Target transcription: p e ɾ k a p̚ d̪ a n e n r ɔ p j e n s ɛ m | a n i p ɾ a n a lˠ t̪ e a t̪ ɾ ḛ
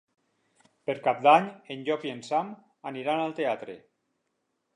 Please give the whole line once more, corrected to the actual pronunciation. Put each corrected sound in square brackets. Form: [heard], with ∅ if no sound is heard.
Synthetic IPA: p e ɾ k a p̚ d̪ a [ɲ] e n [ʎ] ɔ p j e n s [a] m | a n i [∅] ɾ a n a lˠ t̪ e a t̪ ɾ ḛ